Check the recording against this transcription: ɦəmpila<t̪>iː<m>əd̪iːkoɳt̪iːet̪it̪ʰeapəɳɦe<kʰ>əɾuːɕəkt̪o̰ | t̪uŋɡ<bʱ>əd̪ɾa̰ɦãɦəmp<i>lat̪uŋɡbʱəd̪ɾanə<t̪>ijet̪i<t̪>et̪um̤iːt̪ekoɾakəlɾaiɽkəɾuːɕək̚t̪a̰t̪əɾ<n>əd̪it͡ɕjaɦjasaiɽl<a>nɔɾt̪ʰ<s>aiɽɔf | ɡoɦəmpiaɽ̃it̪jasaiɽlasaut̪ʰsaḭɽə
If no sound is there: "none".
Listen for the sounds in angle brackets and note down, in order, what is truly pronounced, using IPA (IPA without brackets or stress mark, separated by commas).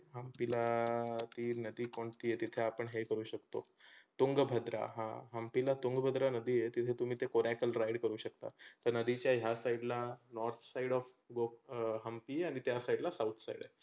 t̪, n, k, bʱ, i, d̪, t̪ʰ, n, a, s